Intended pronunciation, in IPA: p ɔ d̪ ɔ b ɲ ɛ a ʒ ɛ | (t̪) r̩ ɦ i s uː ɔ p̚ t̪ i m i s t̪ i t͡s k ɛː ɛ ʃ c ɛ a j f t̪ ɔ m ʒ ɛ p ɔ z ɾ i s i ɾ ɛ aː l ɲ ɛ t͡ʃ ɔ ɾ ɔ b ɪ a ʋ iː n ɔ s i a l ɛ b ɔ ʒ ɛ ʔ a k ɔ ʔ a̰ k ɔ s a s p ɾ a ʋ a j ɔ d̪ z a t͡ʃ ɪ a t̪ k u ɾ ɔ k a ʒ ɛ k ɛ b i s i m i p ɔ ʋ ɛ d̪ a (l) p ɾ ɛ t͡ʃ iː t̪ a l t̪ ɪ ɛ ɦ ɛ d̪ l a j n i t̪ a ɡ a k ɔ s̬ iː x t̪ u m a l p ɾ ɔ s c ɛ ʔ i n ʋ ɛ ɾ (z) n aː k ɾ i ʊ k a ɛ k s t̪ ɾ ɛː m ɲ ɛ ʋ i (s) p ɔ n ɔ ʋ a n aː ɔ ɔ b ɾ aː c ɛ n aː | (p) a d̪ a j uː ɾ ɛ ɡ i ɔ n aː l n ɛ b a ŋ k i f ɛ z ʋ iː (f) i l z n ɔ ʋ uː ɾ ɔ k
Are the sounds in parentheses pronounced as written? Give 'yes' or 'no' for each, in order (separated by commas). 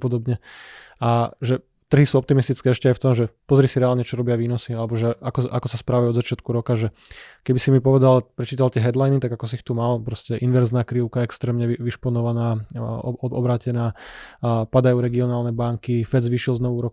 yes, yes, yes, no, yes, no